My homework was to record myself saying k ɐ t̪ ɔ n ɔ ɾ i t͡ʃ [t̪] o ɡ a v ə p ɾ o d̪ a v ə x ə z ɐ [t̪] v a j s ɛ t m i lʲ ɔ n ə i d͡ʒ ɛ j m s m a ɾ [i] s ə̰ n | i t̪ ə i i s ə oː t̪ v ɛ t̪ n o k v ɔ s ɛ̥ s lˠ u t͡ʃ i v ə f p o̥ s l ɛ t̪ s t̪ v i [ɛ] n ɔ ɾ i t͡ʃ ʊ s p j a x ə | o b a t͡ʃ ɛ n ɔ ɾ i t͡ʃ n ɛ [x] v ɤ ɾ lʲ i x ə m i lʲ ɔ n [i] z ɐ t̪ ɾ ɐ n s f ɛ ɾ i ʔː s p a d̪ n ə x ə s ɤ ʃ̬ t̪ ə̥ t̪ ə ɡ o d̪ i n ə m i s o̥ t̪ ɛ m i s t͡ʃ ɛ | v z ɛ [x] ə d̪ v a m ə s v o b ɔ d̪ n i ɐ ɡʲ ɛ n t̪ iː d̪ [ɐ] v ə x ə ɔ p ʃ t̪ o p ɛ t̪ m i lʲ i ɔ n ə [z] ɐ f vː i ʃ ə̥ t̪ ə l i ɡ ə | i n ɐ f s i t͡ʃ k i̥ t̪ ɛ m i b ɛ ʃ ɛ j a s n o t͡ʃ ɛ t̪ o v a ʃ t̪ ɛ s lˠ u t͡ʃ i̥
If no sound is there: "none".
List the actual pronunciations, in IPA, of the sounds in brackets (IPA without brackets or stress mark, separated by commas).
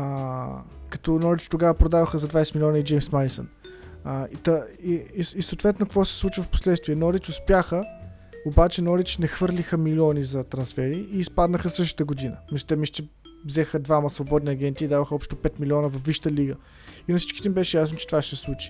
t̪, d̪, i, ɛ, x, i, x, a, v